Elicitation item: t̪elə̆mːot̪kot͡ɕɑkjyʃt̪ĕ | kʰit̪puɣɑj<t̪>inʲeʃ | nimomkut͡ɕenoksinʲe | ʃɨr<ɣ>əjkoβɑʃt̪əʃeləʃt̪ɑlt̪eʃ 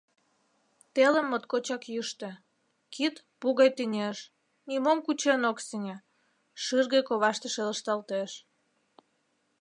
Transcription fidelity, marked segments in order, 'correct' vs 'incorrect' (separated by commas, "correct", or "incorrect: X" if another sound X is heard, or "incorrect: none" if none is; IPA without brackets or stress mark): correct, correct